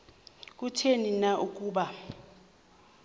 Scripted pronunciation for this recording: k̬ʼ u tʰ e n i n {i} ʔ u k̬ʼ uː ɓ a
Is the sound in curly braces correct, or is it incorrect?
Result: incorrect: a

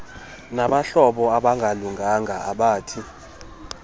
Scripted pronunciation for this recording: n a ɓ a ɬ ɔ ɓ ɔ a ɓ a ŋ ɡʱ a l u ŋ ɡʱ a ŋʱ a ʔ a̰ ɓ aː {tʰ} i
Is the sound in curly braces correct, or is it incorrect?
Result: correct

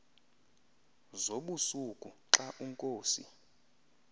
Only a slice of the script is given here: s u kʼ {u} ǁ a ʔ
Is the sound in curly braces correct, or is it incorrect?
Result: correct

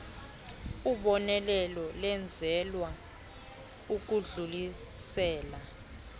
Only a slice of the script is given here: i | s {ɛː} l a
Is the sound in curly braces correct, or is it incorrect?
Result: correct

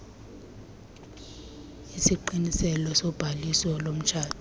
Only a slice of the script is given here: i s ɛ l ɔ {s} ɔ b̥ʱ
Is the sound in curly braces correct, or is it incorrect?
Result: correct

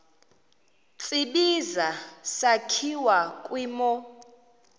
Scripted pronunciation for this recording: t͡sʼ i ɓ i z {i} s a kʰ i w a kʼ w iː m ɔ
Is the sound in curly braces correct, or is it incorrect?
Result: incorrect: a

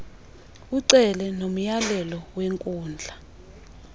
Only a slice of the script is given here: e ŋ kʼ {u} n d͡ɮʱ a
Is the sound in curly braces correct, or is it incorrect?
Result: incorrect: uː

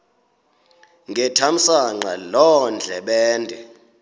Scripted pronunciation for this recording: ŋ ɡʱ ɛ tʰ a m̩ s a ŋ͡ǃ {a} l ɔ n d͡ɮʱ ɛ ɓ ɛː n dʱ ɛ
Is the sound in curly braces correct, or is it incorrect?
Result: correct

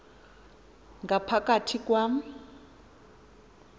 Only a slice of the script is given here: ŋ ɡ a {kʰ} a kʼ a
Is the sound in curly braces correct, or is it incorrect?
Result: incorrect: pʰ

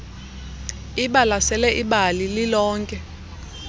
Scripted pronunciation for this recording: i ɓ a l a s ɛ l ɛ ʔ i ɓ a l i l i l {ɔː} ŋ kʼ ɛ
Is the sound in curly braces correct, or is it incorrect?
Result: correct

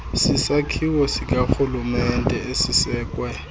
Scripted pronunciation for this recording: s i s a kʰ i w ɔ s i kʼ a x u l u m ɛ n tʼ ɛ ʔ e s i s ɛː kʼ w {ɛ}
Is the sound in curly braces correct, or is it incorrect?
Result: correct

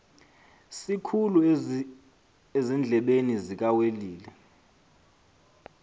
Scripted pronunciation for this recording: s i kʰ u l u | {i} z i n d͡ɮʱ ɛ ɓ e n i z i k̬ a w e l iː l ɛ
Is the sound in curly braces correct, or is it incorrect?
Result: incorrect: e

